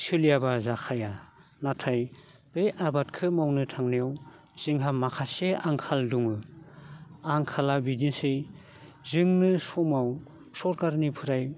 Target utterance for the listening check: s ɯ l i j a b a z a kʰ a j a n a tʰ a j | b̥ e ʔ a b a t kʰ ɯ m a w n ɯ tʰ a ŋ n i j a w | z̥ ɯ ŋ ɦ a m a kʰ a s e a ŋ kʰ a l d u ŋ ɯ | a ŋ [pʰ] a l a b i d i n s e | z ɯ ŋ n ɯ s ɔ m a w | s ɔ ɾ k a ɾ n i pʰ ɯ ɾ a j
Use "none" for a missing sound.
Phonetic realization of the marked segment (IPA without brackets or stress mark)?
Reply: kʰ